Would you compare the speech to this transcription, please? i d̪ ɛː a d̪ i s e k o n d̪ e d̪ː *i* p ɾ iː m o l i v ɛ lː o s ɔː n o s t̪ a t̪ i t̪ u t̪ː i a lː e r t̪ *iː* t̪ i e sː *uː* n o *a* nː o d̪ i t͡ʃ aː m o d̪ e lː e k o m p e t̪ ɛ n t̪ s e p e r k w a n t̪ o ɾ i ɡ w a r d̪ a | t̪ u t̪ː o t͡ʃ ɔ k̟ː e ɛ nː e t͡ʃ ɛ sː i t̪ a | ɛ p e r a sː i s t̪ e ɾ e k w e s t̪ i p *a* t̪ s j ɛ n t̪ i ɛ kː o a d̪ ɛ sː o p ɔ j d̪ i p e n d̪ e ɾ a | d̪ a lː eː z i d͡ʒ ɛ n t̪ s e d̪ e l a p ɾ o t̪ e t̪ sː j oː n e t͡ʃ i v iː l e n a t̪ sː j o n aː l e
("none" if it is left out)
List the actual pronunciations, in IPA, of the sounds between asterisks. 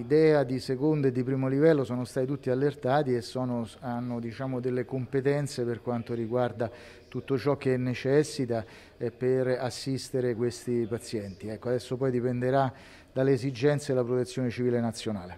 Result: i, aː, ɔː, a, a

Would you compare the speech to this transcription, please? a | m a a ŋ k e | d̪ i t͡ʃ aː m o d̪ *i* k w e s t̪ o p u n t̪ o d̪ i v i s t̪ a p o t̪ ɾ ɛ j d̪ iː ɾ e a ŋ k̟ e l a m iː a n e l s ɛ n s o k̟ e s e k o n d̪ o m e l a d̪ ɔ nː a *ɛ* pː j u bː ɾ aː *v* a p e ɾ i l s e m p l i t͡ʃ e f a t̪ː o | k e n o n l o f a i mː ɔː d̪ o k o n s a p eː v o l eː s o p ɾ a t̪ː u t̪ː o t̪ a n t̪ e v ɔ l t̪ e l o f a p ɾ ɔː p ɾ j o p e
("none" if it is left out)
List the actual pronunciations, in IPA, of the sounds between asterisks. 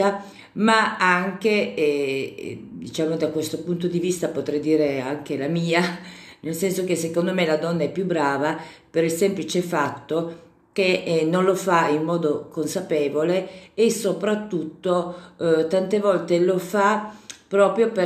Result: a, ɛ, v

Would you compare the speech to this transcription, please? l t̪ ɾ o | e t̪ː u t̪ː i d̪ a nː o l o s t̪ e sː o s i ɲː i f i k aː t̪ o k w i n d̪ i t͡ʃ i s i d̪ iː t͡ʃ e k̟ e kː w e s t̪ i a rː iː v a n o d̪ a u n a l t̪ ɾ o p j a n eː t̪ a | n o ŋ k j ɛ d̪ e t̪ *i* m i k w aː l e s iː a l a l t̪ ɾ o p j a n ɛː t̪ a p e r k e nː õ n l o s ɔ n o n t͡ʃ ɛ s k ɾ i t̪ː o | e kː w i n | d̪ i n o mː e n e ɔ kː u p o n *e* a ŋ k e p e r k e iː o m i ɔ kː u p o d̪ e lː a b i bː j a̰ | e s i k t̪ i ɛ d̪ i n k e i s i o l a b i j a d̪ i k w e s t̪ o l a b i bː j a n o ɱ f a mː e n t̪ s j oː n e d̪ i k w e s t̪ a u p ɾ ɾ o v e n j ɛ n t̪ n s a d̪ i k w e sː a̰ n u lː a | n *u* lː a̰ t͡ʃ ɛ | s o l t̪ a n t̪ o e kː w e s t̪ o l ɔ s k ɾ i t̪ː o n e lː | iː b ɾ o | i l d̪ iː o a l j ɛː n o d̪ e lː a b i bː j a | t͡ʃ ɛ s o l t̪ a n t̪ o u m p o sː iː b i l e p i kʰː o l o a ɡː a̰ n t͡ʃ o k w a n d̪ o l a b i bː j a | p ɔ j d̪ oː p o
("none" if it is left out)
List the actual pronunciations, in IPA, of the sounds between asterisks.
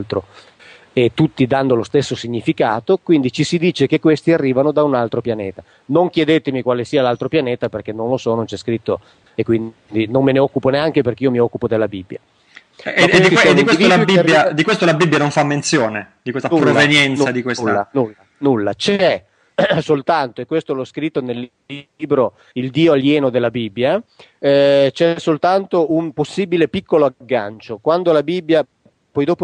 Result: e, e, u

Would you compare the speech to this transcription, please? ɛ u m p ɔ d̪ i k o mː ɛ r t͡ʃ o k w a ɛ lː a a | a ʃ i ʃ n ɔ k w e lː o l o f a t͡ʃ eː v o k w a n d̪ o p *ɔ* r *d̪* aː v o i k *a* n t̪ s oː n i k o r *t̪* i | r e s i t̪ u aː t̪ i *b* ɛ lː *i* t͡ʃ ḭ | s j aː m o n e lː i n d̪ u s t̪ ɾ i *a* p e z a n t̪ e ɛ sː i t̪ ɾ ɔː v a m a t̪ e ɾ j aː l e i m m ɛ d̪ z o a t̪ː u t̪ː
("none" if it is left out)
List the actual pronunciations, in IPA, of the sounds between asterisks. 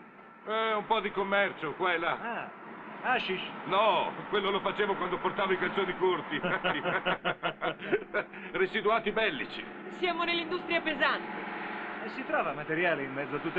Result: o, t̪, a, t̪, b, i, a

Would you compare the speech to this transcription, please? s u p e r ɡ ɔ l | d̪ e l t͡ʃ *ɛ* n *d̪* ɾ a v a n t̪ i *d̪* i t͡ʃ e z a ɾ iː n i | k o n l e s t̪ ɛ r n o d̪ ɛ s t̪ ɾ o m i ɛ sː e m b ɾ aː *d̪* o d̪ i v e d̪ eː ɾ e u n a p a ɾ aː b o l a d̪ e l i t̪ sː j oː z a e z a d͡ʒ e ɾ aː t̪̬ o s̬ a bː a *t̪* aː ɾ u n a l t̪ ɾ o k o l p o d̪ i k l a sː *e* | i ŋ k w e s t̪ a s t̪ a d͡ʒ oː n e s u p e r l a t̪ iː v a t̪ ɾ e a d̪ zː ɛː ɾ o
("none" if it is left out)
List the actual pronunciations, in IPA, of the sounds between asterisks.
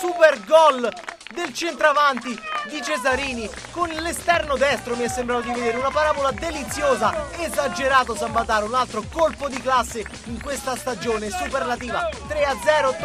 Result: e, t̪, d̪, t̪, t̪, e

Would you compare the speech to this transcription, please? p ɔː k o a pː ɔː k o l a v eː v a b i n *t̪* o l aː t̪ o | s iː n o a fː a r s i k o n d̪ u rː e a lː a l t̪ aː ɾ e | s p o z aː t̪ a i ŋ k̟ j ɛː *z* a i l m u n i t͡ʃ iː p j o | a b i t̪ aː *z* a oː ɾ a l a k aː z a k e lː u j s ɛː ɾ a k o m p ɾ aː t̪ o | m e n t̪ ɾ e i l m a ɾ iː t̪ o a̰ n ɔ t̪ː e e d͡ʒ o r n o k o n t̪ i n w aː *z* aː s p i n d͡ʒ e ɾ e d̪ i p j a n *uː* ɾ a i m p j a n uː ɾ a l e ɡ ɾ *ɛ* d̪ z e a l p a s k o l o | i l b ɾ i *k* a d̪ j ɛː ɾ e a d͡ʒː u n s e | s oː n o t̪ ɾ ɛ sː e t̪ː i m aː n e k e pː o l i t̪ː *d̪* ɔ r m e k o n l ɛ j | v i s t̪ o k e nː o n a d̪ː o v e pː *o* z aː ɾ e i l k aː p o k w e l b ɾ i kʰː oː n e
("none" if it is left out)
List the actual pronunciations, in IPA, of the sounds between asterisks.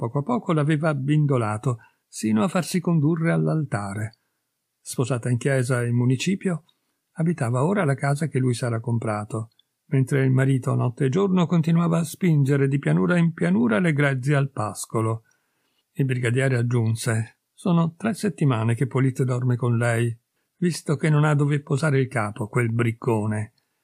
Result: d̪, z, v, v, uː, ɛ, ɡ, d̪, o

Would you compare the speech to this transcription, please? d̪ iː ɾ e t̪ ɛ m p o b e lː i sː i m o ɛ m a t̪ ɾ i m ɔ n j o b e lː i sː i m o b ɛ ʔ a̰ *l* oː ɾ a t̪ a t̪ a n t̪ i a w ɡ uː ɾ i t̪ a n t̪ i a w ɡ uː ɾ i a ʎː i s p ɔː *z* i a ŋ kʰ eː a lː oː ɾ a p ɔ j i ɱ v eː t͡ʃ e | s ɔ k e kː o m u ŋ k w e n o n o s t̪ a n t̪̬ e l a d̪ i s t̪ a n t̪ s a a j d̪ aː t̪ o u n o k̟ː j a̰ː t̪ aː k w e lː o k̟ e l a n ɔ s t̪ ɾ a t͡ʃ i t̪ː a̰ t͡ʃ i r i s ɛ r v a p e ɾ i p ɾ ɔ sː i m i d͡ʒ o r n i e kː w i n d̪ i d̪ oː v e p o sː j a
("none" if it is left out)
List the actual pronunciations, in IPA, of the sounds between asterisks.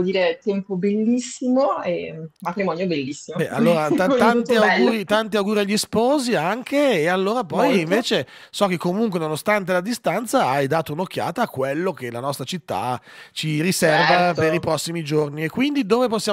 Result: lː, z

